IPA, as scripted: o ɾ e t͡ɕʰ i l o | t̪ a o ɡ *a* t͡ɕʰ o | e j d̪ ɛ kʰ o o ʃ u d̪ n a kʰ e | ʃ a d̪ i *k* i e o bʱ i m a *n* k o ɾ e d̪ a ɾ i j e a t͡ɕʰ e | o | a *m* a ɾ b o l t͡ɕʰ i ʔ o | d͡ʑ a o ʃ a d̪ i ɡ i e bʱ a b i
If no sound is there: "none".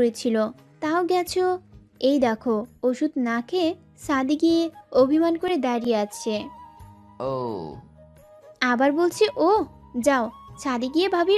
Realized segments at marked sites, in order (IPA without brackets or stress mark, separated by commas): ɛ, ɡ, n, b